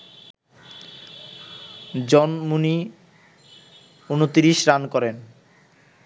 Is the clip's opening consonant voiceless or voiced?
voiced